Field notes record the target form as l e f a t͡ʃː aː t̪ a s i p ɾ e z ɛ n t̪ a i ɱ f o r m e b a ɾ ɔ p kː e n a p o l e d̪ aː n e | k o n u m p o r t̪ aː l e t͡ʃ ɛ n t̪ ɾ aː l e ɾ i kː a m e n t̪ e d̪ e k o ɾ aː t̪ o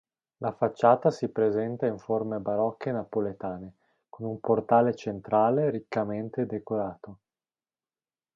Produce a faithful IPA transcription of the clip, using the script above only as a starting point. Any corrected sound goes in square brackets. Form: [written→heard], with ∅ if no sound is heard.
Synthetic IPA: l [e→a] f a t͡ʃː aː t̪ a s i p ɾ e z ɛ n t̪ a i ɱ f o r m e b a ɾ ɔ [p→∅] kː e n a p o l e [d̪→t̪] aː n e | k o n u m p o r t̪ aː l e t͡ʃ [ɛ→e] n t̪ ɾ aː l e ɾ i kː a m e n t̪ e d̪ e k o ɾ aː t̪ o